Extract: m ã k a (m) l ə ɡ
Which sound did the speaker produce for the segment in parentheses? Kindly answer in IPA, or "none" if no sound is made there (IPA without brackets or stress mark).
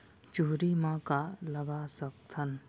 none